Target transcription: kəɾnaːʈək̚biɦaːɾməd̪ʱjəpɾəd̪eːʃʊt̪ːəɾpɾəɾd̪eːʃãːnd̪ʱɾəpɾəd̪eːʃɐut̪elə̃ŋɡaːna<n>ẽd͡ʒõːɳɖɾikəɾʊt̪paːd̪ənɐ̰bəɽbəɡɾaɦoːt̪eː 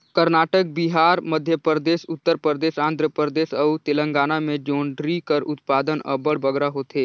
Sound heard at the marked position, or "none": m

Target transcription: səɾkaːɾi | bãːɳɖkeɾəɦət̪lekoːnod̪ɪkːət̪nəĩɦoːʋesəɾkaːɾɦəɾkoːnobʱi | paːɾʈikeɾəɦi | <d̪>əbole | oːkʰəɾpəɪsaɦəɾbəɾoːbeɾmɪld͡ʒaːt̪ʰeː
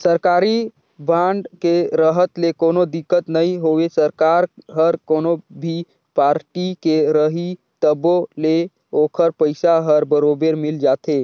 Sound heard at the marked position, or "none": t̪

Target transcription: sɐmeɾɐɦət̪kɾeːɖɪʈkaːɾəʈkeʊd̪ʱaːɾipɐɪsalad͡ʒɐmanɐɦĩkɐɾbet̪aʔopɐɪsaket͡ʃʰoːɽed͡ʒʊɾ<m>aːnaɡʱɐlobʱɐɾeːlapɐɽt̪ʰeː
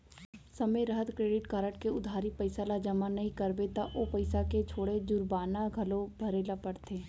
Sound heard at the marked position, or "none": b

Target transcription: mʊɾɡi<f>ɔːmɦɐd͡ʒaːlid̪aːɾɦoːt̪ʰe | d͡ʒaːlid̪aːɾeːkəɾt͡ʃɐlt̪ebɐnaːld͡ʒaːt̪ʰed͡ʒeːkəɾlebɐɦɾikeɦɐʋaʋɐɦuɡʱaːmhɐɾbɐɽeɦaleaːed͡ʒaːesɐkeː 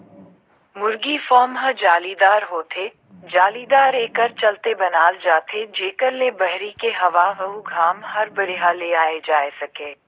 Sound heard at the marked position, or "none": f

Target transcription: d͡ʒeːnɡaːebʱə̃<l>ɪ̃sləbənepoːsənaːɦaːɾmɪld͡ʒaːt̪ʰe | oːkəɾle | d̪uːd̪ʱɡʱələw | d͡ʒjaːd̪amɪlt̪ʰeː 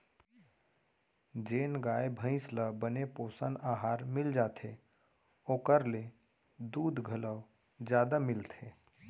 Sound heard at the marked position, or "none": none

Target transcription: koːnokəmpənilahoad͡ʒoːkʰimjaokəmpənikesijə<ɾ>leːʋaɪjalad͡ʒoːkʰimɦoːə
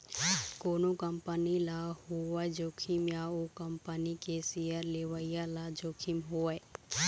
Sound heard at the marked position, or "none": ɾ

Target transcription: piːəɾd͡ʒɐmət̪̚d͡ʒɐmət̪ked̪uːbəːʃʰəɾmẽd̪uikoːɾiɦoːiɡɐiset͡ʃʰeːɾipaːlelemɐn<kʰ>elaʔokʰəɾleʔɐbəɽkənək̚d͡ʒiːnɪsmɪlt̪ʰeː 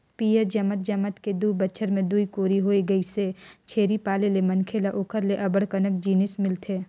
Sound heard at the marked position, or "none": kʰ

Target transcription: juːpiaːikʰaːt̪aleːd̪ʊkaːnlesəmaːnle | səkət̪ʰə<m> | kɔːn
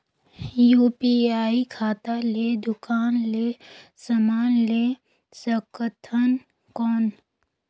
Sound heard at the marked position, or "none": n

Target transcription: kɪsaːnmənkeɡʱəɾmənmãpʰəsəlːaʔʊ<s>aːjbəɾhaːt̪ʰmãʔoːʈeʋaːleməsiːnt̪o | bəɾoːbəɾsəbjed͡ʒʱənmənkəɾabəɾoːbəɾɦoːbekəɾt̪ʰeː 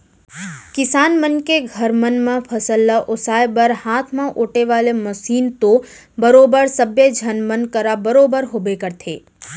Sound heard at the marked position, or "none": s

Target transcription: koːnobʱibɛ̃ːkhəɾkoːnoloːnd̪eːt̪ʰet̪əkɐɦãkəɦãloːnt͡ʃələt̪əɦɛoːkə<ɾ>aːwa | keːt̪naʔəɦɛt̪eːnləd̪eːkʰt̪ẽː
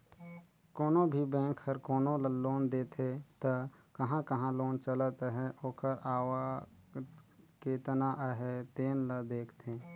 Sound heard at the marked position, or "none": ɾ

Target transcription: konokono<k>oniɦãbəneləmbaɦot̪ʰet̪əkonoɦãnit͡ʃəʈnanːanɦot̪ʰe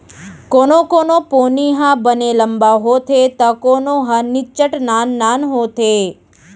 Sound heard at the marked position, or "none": p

